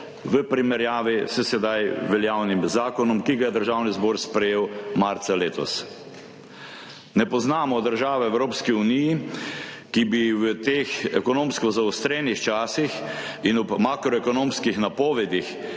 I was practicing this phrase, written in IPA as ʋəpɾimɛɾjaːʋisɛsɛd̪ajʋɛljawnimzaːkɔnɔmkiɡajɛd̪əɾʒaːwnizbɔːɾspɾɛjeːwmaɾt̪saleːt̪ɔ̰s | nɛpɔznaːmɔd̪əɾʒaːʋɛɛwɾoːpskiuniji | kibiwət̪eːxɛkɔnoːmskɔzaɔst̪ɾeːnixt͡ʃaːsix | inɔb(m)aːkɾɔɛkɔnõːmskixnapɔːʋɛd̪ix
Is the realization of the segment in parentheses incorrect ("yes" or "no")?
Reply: no